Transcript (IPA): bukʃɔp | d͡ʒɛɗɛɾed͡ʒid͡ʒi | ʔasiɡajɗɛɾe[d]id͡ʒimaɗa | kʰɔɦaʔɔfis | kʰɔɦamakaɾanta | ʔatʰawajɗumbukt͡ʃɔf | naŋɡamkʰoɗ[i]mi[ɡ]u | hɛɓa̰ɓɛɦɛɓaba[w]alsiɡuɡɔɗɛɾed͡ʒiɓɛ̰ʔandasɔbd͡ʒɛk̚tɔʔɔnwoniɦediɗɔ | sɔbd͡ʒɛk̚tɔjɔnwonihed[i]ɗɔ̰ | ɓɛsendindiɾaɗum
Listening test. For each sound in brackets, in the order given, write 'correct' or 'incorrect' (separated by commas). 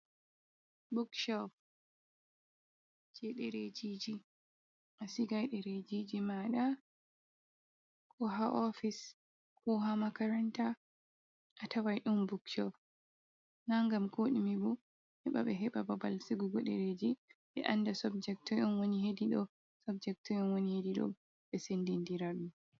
incorrect, correct, incorrect, incorrect, correct